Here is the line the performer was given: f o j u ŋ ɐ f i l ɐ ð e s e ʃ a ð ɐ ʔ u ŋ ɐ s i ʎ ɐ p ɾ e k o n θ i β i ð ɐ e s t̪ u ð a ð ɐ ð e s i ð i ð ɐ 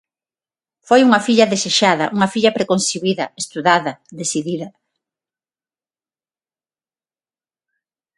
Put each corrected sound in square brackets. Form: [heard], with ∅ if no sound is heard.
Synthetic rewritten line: f o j u ŋ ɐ f i [ʎ] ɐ ð e s e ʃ a ð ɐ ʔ u ŋ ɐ [f] i ʎ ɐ p ɾ e k o n [s] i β i ð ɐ e s t̪ u ð a ð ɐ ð e s i ð i ð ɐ

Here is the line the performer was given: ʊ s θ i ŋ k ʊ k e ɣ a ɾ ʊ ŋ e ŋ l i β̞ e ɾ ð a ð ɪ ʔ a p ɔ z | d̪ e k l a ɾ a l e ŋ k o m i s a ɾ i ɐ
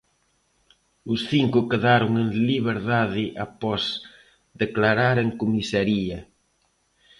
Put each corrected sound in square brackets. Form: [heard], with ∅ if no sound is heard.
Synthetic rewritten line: ʊ s θ i ŋ k ʊ k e [ð] a ɾ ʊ ŋ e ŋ l i β̞ e ɾ ð a ð ɪ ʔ a p ɔ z | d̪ e k l a ɾ a [ɾ] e ŋ k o m i s a ɾ i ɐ

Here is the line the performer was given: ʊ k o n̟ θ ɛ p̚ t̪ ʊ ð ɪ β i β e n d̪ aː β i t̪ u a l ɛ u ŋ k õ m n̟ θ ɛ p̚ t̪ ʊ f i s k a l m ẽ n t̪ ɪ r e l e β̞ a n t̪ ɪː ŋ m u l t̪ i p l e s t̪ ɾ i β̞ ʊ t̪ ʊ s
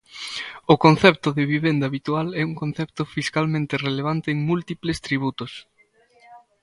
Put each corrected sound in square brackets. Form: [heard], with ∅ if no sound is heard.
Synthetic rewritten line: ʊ k o n̟ θ ɛ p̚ t̪ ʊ ð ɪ β i β e n d̪ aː β i t̪ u a l ɛ u ŋ k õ [∅] n̟ θ ɛ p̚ t̪ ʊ f i s k a l m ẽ n t̪ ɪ r e l e β̞ a n t̪ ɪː ŋ m u l t̪ i p l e s t̪ ɾ i β̞ [u] t̪ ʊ s

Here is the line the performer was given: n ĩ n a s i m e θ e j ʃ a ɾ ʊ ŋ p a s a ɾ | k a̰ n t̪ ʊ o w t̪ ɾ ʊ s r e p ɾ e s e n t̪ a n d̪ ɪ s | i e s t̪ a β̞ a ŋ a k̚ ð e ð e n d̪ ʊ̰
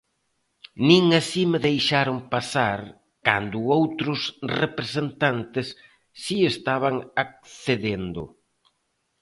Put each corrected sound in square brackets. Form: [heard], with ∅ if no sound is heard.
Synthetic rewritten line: n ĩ [ŋ] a s i m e [ð] e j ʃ a ɾ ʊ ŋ p a s a ɾ | k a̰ n [d̪] ʊ o w t̪ ɾ ʊ s r e p ɾ e s e n t̪ a n [t̪] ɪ [sː] | i e s t̪ a β̞ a ŋ a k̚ [θ] e ð e n d̪ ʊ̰

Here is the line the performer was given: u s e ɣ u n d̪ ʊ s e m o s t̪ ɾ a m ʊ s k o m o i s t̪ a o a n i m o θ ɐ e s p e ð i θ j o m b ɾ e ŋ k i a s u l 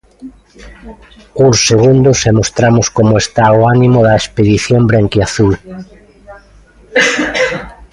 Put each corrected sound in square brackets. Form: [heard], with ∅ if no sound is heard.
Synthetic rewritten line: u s e ɣ u n d̪ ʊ s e m o s t̪ ɾ a m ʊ s k o m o [e] s t̪ a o a n i m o [ð] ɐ e s p e ð i θ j o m b ɾ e ŋ k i a [θ] u l

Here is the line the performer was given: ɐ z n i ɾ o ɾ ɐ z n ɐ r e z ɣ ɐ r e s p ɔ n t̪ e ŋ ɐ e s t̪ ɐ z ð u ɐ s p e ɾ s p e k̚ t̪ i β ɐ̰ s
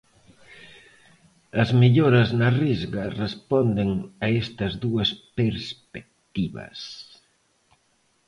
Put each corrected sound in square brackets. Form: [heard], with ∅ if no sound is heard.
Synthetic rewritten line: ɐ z [m] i [ʎ] o ɾ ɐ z n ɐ r [i] z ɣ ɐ r e s p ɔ n [d̪] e ŋ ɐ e s t̪ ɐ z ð u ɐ s p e ɾ s p e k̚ t̪ i β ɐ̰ s

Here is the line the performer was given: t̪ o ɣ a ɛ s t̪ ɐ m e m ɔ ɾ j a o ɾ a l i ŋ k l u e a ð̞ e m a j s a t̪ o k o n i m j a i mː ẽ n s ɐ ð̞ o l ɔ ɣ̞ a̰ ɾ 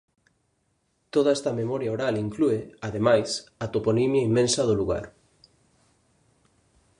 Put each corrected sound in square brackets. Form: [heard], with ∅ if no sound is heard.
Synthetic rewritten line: t̪ o [ð] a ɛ s t̪ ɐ m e m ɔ ɾ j a o ɾ a l i ŋ k l u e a ð̞ e m a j s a t̪ o [p] o n i m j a i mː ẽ n s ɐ ð̞ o l [u] ɣ̞ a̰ ɾ

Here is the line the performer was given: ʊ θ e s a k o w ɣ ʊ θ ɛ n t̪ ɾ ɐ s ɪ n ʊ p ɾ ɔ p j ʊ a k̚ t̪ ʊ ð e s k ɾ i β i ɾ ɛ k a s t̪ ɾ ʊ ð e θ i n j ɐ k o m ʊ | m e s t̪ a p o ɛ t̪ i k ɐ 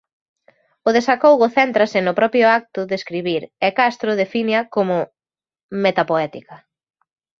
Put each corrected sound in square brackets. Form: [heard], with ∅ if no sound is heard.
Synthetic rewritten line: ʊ [ð] e s a k o w ɣ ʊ θ ɛ n t̪ ɾ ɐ s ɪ n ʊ p ɾ ɔ p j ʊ a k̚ t̪ ʊ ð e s k ɾ i β i ɾ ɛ k a s t̪ ɾ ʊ ð e [f] i n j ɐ k o m ʊ | m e [∅] t̪ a p o ɛ t̪ i k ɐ

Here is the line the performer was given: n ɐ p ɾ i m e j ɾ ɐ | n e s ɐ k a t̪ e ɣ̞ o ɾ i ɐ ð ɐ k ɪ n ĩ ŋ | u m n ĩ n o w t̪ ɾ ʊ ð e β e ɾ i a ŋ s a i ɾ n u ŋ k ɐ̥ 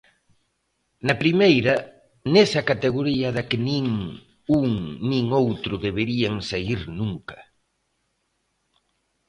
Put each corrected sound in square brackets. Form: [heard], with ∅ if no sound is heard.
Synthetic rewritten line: n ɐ p ɾ i m e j ɾ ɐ | n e s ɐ k a t̪ e ɣ̞ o ɾ i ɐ ð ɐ k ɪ n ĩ ŋ | u [ŋ] n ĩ [ŋ] o w t̪ ɾ ʊ ð e β e ɾ i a ŋ s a i ɾ n u ŋ k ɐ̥

